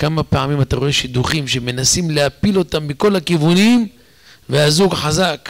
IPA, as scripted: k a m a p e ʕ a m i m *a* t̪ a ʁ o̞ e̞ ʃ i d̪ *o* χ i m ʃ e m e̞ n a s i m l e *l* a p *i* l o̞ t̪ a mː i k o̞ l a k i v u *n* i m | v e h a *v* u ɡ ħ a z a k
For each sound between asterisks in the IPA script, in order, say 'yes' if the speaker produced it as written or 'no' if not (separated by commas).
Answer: yes, no, no, yes, yes, no